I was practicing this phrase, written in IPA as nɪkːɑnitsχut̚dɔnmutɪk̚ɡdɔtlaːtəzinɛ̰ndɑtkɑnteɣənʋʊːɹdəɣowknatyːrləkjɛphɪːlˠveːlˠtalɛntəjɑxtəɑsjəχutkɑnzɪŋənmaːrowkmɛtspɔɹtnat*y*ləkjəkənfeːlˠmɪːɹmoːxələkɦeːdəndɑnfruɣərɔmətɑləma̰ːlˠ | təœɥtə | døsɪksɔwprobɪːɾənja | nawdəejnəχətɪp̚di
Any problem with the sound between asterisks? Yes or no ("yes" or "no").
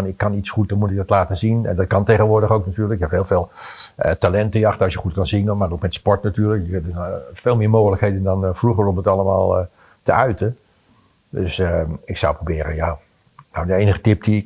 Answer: yes